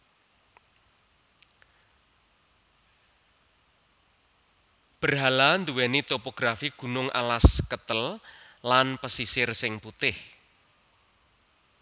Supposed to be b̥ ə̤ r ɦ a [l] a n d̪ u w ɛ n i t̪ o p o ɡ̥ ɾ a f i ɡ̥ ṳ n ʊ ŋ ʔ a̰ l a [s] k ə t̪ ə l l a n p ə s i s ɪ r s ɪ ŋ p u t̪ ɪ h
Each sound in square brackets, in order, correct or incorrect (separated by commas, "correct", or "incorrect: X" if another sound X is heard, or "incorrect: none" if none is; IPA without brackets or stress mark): correct, correct